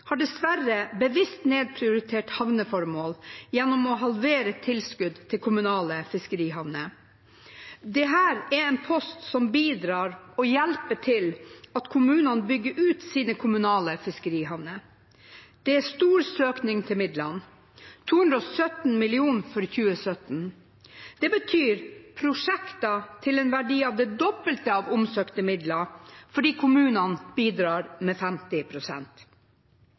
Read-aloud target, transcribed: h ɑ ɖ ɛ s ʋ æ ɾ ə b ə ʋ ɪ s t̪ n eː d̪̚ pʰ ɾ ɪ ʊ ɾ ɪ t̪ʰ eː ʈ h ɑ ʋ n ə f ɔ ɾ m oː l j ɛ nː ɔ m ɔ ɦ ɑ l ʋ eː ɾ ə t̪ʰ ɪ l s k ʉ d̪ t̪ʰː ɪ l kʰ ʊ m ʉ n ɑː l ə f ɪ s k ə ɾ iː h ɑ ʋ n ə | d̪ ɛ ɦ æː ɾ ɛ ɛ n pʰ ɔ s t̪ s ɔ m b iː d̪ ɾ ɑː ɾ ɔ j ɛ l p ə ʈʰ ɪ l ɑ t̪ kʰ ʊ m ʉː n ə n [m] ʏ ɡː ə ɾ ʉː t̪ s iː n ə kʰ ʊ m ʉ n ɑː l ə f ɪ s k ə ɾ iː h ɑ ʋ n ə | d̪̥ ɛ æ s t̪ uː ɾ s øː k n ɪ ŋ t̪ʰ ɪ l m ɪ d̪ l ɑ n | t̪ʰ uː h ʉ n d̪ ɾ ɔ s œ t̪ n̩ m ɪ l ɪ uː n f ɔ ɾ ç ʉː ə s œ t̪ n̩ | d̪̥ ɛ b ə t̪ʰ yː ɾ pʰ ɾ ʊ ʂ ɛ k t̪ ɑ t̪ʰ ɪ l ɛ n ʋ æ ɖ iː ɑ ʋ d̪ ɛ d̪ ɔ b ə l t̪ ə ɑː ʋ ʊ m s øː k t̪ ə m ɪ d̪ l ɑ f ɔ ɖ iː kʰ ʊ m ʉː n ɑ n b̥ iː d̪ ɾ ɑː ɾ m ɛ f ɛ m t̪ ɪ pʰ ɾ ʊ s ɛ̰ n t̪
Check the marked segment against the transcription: incorrect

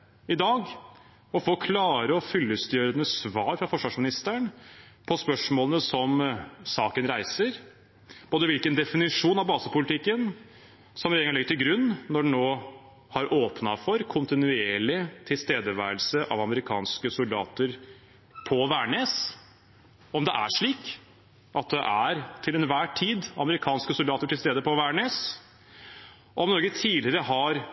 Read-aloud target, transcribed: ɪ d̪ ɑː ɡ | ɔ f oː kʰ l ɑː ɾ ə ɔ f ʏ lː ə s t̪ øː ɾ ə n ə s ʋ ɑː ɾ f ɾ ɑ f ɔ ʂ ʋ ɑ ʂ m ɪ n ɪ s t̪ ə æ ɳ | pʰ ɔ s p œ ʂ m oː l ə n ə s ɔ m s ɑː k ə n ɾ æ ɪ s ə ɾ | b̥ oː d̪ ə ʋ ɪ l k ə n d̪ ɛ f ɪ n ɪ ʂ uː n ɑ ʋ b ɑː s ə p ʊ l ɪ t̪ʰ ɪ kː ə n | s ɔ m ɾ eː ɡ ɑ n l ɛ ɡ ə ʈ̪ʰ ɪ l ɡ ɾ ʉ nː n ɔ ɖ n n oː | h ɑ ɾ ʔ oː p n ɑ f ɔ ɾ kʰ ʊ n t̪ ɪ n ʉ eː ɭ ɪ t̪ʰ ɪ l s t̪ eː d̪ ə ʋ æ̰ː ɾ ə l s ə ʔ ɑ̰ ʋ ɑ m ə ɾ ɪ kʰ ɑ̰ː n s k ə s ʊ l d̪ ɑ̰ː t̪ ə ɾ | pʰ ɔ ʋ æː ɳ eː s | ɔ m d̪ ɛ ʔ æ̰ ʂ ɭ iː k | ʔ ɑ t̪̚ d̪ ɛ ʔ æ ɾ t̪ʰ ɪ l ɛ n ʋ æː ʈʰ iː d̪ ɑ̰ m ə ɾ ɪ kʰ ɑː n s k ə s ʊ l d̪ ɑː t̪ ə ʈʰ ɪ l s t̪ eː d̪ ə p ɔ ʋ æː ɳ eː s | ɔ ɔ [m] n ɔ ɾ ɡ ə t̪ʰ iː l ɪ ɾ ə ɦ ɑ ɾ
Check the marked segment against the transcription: correct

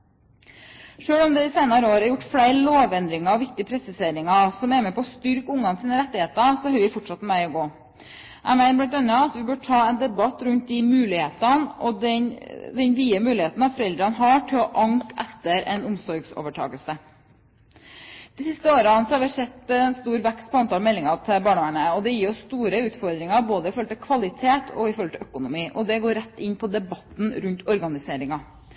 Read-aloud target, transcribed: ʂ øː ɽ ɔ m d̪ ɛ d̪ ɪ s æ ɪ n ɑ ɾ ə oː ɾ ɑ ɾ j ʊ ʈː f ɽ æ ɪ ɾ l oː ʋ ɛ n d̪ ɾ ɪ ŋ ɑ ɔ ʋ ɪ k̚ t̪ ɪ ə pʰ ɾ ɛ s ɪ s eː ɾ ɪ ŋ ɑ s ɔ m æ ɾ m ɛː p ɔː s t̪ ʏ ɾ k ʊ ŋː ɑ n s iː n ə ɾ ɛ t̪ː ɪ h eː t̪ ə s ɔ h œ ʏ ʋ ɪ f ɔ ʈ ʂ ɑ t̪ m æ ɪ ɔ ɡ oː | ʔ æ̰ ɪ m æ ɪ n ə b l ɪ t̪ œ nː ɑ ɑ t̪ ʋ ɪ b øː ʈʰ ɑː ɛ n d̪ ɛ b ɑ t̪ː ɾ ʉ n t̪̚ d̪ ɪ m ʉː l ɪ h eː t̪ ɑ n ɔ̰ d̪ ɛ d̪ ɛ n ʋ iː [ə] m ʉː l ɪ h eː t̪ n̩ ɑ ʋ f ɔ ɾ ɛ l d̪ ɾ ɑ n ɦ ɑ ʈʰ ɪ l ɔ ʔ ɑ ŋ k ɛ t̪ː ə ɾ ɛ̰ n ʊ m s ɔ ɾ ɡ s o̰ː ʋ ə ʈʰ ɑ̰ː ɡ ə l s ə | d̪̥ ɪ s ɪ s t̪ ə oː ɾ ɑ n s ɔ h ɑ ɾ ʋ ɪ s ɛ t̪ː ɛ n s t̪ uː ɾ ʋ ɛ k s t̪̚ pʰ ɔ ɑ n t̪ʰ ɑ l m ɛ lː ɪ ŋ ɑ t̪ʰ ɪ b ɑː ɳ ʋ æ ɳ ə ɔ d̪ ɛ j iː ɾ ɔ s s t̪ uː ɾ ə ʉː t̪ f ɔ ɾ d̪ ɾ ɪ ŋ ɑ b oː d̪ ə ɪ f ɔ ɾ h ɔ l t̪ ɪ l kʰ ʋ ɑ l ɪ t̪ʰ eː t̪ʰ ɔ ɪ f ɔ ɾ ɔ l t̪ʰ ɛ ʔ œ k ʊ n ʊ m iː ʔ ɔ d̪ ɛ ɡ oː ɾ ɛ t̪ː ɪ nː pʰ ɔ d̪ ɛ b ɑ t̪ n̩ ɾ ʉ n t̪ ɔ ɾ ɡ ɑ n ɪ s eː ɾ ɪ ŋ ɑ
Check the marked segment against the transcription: correct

